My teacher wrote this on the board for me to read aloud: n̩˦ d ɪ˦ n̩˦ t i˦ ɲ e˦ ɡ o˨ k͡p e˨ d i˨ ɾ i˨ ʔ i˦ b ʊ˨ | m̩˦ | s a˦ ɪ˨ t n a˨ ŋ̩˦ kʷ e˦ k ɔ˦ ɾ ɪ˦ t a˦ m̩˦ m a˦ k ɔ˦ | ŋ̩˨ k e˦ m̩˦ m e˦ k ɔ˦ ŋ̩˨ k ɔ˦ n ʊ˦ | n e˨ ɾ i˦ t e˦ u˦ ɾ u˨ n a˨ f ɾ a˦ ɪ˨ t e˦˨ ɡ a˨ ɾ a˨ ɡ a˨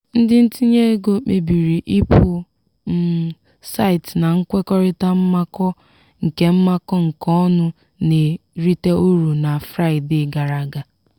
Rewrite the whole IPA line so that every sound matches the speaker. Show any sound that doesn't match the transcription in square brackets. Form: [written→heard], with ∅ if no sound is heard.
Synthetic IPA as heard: n̩˦ d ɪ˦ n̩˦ t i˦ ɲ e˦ ɡ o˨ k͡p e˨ [d→b] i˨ ɾ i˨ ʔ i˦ [b→p] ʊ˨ | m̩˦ | s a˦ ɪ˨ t n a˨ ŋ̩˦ kʷ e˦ k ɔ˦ ɾ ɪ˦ t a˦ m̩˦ m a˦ k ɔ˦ | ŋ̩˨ k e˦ m̩˦ m [e˦→a˦] k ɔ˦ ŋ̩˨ k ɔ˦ n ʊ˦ | n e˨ ɾ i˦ t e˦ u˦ ɾ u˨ n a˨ f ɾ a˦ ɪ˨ [t→d] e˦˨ ɡ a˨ ɾ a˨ ɡ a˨